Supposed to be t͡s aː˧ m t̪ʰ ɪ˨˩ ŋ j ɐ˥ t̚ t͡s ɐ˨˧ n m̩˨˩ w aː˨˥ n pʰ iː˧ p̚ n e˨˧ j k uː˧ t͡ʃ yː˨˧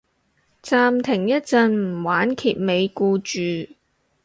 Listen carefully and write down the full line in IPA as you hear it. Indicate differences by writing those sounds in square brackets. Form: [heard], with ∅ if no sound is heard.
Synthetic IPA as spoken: t͡s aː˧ m t̪ʰ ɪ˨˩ ŋ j ɐ˥ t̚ t͡s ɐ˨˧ n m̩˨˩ w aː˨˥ n [kʰ] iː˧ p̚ [m] e˨˧ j k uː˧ t͡ʃ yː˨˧